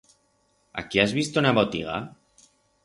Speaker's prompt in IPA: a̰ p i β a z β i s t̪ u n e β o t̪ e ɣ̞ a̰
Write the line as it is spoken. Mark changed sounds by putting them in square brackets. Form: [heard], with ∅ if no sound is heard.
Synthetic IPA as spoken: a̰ [k] i [∅] a z β i s t̪ u n [a] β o t̪ [i] ɣ̞ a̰